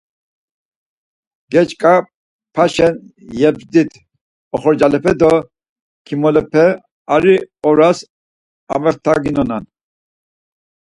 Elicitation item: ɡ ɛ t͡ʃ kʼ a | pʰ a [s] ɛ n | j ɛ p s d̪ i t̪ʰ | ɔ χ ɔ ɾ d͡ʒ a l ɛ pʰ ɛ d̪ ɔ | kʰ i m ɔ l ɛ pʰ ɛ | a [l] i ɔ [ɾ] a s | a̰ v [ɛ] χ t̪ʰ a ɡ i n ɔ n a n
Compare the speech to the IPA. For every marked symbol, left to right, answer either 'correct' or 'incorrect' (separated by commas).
incorrect, incorrect, correct, correct